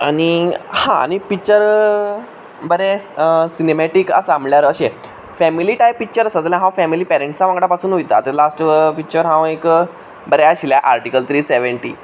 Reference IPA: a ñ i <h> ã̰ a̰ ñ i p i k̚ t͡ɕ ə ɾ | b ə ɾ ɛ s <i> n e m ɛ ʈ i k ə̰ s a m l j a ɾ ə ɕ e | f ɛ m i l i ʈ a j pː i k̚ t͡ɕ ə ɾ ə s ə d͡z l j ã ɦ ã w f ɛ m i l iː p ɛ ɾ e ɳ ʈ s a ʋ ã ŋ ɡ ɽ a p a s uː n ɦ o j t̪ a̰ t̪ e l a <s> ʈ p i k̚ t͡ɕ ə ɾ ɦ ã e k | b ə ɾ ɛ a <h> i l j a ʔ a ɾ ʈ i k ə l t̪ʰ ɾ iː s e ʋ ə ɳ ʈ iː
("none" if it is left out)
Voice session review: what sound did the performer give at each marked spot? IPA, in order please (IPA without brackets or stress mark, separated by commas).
h, i, s, ɕ